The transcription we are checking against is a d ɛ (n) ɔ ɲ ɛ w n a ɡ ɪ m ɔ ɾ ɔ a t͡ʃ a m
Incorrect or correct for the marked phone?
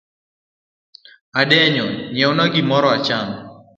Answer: incorrect: ɲ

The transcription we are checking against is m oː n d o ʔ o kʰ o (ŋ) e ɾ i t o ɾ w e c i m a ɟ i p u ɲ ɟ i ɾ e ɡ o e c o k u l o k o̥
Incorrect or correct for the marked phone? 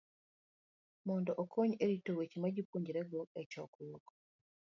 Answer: incorrect: ɲ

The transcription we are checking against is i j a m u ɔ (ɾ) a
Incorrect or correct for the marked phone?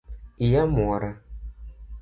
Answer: correct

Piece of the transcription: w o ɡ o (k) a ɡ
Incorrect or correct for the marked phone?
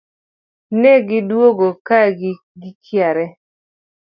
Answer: correct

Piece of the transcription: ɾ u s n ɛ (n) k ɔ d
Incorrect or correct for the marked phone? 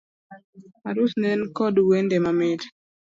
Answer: correct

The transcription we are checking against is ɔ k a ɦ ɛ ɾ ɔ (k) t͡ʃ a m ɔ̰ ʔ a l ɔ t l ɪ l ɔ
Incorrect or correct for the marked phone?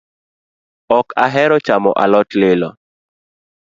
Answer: incorrect: none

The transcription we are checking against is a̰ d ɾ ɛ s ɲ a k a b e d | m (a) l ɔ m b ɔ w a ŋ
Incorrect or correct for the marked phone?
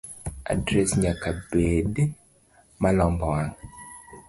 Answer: correct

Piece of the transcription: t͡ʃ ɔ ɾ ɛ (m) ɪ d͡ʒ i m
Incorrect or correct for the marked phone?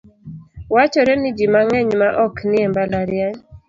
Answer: incorrect: n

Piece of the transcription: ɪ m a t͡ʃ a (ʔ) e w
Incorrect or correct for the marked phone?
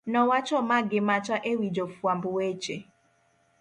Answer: correct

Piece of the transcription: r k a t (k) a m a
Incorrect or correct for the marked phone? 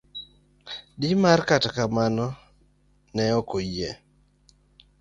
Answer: correct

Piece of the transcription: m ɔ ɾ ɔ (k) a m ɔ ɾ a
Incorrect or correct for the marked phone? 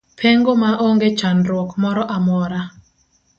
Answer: incorrect: ʔ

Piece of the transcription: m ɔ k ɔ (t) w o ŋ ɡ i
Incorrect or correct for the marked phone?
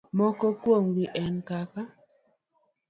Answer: incorrect: k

